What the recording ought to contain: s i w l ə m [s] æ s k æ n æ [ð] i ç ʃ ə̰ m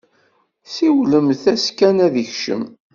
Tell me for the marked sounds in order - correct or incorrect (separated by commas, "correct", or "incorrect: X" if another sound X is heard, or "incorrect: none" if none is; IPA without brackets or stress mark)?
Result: incorrect: θ, correct